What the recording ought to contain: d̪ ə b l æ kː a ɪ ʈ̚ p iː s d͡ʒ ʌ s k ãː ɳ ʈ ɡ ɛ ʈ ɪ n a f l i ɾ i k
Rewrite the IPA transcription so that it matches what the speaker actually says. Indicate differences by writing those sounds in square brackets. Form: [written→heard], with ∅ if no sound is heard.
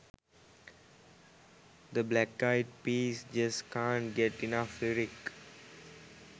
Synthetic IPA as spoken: d̪ ə b l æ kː a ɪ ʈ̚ p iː s d͡ʒ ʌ s k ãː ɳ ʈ ɡ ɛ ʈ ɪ n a f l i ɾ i k

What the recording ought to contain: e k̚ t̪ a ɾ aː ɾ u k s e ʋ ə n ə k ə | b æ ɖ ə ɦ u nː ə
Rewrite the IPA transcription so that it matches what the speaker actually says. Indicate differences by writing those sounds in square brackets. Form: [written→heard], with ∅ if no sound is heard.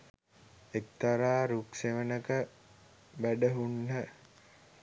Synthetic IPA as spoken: e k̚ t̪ a ɾ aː ɾ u k s e ʋ ə n ə k ə | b æ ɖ ə ɦ u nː ə

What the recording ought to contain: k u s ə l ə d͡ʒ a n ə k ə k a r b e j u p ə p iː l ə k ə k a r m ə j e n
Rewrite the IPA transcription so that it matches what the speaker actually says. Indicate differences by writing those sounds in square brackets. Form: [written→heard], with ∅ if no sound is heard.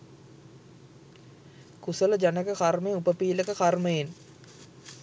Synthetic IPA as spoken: k u s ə l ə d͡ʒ a n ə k ə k a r [b→m] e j u p ə p iː l ə k ə k a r m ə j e n

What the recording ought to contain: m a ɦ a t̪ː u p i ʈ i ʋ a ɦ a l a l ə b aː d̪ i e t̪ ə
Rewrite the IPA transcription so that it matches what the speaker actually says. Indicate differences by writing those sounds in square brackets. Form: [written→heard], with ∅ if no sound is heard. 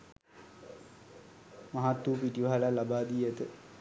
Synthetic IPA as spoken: m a ɦ a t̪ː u p i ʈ i ʋ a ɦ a l a l [ə→a] b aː d̪ i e t̪ ə

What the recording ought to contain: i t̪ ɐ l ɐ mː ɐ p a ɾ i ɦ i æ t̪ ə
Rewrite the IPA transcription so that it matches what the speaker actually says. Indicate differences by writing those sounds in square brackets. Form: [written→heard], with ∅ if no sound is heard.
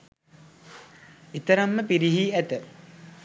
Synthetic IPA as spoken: i t̪ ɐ [l→ɾ] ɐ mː [ɐ→ə] p [a→i] ɾ i ɦ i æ t̪ ə

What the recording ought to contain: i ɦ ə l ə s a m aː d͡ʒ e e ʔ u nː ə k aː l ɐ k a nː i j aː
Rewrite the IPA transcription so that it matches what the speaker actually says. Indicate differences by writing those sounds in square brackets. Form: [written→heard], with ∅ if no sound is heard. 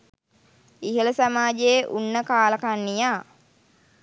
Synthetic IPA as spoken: i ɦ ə l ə s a m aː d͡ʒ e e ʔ u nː ə k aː l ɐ k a nː i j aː

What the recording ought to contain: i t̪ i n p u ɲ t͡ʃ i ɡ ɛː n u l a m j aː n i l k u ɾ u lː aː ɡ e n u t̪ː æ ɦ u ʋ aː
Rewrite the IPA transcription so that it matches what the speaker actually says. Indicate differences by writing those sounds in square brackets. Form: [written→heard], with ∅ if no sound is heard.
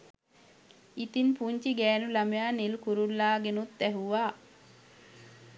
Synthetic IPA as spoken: i t̪ i n p u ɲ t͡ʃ i ɡ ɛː n u l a m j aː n i l k u ɾ u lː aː ɡ e n u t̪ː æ ɦ u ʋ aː

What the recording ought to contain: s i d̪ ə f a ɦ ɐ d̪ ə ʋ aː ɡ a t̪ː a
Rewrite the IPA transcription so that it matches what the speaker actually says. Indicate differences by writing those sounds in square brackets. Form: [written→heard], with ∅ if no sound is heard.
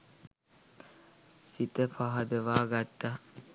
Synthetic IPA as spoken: s i [d̪→t̪] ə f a ɦ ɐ d̪ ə ʋ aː ɡ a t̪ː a

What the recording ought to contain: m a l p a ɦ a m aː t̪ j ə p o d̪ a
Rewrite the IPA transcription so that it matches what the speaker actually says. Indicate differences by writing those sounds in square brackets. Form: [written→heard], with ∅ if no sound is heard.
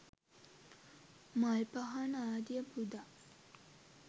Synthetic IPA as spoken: m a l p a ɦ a [m→n] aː [t̪→d̪] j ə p [o→u] d̪ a

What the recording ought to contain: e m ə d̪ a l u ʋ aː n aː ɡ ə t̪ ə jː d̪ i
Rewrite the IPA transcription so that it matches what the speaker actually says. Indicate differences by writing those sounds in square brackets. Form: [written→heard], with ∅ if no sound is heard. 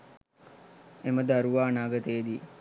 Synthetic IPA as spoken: e m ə d̪ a [l→ɾ] u ʋ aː n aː ɡ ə t̪ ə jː d̪ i

